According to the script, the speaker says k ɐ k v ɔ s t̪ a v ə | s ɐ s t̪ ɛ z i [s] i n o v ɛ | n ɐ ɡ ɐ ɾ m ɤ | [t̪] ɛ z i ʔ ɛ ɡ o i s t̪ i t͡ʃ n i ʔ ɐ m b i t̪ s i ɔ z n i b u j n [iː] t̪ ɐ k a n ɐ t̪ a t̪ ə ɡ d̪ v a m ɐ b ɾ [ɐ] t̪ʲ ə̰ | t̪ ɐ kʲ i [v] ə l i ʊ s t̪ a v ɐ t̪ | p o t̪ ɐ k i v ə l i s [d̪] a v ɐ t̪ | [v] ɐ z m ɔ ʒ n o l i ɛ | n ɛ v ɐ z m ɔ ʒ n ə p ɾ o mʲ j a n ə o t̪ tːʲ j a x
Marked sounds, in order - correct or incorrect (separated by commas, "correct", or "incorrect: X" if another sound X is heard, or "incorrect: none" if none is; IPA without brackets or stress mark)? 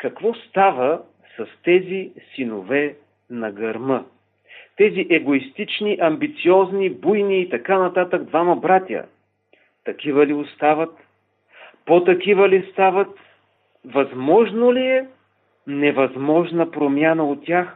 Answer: correct, correct, correct, incorrect: a, correct, incorrect: t̪, correct